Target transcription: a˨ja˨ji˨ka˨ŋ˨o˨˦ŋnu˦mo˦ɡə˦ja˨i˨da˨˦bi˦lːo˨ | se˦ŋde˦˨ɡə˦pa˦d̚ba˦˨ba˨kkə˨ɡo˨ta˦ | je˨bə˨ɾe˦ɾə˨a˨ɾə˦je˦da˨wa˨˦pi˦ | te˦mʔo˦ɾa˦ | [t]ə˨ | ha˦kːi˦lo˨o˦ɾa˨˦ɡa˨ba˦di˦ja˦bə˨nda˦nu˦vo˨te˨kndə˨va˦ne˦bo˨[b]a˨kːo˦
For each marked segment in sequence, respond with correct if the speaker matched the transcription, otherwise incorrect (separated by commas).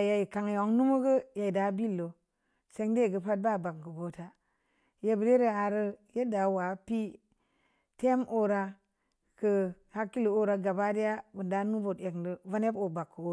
incorrect, correct